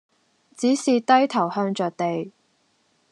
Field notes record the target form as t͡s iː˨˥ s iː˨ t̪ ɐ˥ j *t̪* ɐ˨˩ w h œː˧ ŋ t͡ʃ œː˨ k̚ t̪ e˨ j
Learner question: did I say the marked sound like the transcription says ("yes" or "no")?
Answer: no